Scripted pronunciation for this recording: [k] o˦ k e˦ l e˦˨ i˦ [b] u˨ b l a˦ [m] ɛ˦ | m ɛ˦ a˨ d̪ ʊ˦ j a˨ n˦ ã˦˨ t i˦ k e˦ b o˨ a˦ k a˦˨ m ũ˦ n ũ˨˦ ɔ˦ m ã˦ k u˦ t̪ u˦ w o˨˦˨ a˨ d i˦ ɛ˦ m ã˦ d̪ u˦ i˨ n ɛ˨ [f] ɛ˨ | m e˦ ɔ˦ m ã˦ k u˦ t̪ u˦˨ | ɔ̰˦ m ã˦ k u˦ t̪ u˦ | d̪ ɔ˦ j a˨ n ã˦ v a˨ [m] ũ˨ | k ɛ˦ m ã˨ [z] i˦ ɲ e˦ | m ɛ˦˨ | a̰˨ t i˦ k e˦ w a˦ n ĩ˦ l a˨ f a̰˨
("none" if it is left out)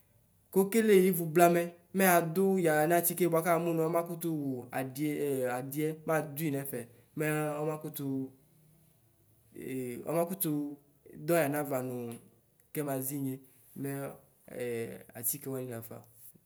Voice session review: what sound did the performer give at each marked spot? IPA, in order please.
k, v, m, f, n, z

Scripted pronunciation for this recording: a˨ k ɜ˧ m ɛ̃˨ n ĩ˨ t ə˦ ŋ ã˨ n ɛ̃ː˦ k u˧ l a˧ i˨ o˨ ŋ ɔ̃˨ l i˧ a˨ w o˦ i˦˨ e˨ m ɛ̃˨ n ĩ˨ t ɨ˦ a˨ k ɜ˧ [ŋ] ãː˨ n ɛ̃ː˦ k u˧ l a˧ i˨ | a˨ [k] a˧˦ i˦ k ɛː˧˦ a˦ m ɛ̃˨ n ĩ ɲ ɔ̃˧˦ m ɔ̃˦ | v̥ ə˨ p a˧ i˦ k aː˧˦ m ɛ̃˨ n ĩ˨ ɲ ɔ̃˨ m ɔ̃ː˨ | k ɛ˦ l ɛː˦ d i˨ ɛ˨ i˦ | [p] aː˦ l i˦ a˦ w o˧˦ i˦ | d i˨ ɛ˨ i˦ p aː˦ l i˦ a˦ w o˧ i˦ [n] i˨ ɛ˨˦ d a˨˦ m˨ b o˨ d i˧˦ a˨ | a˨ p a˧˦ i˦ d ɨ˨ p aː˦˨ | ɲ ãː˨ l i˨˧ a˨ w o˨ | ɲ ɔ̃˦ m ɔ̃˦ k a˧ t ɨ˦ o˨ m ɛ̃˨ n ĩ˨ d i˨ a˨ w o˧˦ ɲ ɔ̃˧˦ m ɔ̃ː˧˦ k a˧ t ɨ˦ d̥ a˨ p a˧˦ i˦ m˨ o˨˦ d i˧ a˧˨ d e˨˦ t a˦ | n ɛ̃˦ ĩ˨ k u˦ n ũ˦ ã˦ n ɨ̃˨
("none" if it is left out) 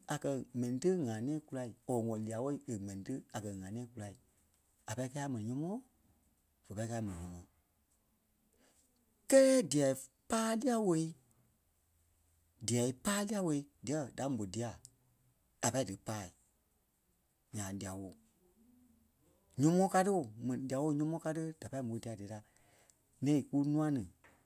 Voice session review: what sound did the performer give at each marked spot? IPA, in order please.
ŋ, p, p, d

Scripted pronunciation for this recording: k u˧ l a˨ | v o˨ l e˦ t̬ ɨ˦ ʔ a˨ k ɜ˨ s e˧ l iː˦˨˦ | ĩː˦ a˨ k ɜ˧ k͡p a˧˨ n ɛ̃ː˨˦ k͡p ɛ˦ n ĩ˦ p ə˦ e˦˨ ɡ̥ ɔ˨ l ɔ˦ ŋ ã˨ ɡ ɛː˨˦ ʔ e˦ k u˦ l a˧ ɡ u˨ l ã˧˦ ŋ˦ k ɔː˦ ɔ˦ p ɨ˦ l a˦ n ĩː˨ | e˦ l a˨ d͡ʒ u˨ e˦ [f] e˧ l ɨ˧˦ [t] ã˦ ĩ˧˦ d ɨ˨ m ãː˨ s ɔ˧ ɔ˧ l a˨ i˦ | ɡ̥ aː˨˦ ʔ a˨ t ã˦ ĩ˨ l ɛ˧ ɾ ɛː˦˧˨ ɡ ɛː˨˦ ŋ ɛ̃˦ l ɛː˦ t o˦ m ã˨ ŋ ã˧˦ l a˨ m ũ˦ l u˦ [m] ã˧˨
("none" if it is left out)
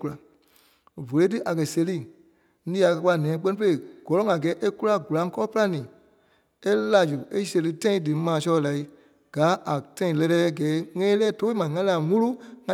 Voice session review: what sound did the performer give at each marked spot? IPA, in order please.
s, t, ŋ

